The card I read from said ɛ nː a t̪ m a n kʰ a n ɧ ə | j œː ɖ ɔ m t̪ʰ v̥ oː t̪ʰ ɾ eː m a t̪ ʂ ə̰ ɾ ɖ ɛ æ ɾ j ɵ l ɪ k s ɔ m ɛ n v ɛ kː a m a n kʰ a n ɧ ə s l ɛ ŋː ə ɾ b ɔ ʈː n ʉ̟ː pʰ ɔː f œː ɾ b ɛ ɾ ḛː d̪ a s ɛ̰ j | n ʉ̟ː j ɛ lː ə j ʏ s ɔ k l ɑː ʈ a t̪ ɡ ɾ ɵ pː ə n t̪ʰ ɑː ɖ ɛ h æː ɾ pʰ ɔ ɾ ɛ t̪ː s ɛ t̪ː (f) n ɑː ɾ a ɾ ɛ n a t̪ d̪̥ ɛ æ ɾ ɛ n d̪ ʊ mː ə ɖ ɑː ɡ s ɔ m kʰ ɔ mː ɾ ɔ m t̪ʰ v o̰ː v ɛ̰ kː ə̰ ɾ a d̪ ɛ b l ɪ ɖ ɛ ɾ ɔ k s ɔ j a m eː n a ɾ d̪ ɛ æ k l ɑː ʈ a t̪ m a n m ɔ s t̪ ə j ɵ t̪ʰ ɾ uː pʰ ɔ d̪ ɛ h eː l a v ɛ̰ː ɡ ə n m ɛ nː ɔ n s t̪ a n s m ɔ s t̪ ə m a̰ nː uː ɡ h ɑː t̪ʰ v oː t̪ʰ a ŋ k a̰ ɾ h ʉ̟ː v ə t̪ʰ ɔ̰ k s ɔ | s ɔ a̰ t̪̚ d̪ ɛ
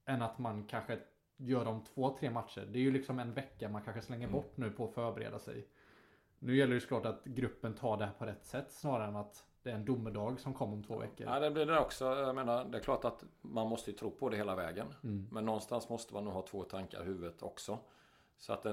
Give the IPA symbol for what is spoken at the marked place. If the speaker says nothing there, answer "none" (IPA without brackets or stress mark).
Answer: s